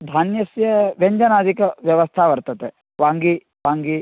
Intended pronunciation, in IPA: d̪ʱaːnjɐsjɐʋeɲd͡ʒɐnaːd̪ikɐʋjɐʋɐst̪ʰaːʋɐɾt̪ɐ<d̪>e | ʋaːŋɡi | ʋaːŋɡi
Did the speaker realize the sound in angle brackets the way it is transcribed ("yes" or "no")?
no